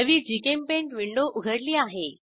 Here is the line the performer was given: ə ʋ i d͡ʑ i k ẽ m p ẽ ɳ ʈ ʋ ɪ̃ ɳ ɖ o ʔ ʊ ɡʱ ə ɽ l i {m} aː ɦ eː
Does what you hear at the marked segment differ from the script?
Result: yes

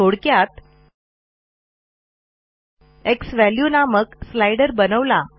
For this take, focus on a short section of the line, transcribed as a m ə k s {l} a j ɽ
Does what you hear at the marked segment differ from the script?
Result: no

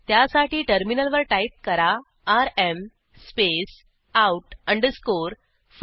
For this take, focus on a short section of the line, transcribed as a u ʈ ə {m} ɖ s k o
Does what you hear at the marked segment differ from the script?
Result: yes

